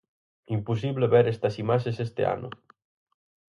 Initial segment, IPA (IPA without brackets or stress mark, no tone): i